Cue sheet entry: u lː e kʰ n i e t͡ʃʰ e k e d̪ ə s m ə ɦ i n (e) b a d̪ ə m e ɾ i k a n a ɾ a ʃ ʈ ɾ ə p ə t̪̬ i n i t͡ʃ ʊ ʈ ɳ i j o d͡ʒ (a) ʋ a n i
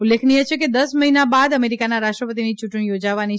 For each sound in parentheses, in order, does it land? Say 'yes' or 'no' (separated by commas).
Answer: no, yes